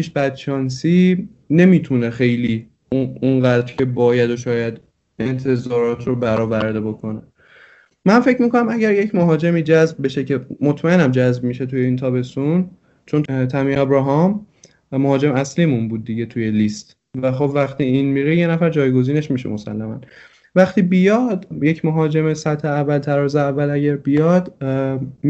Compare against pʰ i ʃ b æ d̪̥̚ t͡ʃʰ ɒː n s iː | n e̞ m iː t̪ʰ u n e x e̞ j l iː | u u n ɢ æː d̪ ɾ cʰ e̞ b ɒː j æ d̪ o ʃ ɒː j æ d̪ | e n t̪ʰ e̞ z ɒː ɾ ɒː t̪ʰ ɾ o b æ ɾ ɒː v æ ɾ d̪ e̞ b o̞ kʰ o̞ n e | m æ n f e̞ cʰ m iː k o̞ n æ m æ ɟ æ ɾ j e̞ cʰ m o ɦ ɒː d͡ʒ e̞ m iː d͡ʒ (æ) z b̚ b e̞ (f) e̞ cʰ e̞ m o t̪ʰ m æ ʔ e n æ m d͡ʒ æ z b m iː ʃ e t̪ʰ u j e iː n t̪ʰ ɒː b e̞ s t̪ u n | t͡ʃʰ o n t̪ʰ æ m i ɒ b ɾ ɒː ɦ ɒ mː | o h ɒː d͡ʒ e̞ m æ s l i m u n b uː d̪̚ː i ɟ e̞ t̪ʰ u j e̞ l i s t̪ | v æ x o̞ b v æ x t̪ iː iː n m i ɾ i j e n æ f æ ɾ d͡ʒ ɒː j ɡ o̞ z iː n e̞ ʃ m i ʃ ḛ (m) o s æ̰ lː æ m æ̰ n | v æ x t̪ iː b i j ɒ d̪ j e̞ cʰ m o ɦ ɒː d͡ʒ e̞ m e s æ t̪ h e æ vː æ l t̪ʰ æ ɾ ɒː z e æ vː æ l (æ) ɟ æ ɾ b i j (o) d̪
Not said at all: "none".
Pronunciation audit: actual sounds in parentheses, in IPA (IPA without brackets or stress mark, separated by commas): æ, ʃ, m, æ, ɒ